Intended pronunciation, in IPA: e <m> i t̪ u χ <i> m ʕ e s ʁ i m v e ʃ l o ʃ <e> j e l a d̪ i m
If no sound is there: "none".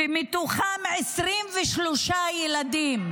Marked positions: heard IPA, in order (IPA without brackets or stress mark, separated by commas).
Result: m, a, a